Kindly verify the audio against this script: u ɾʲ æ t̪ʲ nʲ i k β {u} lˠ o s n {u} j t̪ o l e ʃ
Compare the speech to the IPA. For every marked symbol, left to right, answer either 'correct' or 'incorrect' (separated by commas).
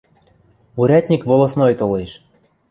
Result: incorrect, incorrect